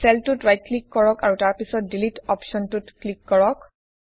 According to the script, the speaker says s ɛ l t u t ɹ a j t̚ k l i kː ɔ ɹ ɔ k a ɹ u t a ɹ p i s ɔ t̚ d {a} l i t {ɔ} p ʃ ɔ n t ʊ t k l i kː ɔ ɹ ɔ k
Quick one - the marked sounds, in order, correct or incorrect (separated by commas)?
incorrect, correct